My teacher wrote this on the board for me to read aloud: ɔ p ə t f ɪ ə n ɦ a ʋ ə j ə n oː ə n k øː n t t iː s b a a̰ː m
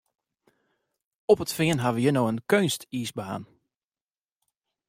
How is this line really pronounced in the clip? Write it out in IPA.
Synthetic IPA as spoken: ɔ p ə t f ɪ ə n ɦ a ʋ ə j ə n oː ə n k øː n s t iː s b a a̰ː n